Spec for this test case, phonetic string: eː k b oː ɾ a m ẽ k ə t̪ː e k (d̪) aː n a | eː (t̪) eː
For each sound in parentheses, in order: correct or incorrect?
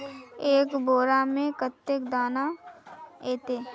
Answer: correct, correct

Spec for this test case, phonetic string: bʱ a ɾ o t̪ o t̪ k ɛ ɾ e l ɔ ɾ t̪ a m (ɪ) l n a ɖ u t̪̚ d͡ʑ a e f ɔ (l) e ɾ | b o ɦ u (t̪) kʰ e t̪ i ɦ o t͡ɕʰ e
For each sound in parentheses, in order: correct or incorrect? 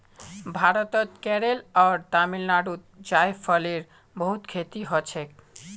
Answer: incorrect, correct, correct

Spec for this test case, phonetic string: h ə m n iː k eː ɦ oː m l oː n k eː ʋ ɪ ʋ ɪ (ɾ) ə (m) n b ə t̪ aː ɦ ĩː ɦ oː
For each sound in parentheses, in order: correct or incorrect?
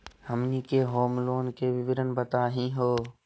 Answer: correct, incorrect

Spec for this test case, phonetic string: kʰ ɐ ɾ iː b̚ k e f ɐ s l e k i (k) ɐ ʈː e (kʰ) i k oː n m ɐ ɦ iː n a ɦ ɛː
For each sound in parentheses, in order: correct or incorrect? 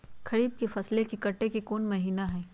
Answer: correct, incorrect

